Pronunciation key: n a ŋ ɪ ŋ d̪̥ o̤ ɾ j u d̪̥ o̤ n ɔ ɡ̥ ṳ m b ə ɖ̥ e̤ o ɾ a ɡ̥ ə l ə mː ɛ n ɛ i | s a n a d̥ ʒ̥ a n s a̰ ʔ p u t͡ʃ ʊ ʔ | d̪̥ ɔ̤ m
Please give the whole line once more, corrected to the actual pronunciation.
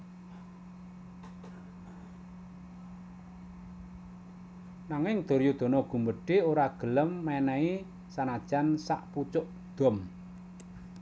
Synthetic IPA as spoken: n a ŋ ɪ ŋ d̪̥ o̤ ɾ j u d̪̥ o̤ n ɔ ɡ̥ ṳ m b ə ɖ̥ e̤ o ɾ a ɡ̥ ə l ə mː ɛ n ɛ i | s a n a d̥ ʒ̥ a n s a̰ ʔ p u t͡ʃ ʊ ʔ | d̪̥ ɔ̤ m

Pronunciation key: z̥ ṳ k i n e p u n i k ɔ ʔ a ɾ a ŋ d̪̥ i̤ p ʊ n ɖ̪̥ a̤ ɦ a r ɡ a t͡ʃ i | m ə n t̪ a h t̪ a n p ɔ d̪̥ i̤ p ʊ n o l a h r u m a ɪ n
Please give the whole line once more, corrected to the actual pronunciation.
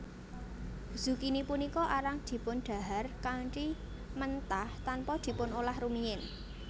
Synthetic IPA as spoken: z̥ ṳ k i n i p u n i k ɔ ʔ a ɾ a ŋ d̪̥ i̤ p ʊ n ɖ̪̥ a̤ ɦ a r k a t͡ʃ i | m ə n t̪ a h t̪ a n p ɔ d̪̥ i̤ p ʊ n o l a h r u m i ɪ n

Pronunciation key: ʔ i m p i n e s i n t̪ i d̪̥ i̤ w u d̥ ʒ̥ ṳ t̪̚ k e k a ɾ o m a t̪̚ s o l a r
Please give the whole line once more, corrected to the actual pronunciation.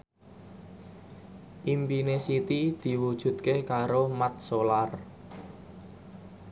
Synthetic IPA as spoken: ʔ i m p i n e s i t̪ i d̪̥ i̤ w u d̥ ʒ̥ ṳ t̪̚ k e k a ɾ o m a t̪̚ s o l a r

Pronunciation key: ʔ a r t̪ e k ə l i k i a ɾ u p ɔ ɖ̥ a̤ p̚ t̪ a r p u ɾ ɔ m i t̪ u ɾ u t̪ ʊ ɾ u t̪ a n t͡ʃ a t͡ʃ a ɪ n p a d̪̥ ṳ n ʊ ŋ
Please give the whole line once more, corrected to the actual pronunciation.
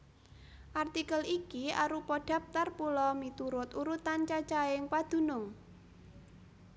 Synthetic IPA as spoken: ʔ a r t̪ i k ə l i k i a ɾ u p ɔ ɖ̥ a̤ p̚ t̪ a r p u l ɔ m i t̪ u ɾ ʊ t̪ u ɾ u t̪ a n t͡ʃ a t͡ʃ a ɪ ŋ p a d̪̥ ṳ n ʊ ŋ

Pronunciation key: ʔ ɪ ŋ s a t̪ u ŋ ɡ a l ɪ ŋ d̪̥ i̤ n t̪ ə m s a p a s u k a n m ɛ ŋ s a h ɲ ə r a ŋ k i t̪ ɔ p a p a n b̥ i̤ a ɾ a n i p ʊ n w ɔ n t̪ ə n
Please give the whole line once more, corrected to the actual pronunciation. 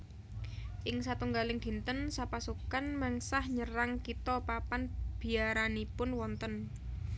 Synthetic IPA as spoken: ʔ ɪ ŋ s a t̪ u ŋ ɡ a l ɪ ŋ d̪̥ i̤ n t̪ ə n s a p a s u k a n m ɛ ŋ s a h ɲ ə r a ŋ k i t̪ ɔ p a p a n b̥ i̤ a ɾ a n i p ʊ n w ɔ n t̪ ə n

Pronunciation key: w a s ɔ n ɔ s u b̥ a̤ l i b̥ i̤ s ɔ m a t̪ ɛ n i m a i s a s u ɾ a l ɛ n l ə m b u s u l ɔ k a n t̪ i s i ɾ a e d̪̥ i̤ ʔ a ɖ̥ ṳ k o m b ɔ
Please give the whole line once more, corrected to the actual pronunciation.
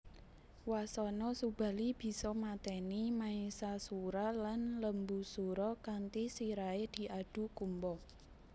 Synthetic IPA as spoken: w a s ɔ n ɔ s u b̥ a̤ l i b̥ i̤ s ɔ m a t̪ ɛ n i m a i s a s u ɾ a l a n l ə m b u s u ɾ ɔ k a n t̪ i s i ɾ a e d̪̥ i̤ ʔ a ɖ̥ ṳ k u m b ɔ

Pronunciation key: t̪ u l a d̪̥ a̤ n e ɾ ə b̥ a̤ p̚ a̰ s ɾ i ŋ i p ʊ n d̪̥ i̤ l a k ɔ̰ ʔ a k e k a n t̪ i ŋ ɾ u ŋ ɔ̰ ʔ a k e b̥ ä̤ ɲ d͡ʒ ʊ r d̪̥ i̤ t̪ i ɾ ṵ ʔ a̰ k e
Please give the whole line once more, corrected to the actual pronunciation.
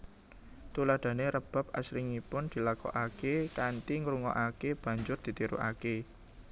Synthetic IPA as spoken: t̪ u l a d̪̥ a̤ n e ɾ ə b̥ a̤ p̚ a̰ s ɾ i ŋ i p ʊ n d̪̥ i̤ l a k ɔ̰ ʔ a k e k a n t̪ i ŋ ɾ u ŋ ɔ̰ ʔ a k e b̥ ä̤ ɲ d͡ʒ ʊ r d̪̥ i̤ t̪ i ɾ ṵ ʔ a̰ k e

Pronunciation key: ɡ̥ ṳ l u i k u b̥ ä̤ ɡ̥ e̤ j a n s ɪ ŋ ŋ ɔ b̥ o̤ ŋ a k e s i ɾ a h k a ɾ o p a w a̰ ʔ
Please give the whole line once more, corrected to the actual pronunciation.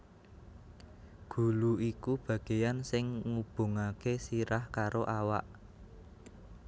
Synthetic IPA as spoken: ɡ̥ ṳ l u i k u b̥ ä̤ ɡ̥ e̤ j a n s ɪ ŋ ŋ u b̥ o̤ ŋ a k e s i ɾ a h k a ɾ o ʔ a w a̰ ʔ

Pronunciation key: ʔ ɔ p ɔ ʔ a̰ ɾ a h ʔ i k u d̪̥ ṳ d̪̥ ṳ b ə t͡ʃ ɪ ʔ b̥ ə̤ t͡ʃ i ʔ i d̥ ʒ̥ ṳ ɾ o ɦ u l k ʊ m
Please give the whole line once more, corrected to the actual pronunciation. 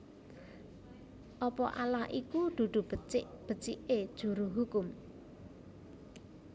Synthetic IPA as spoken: ʔ ɔ p ɔ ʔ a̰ l a h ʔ i k u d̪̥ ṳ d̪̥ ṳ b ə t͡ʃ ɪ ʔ b̥ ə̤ t͡ʃ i ʔ e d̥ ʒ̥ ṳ ɾ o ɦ u k ʊ m

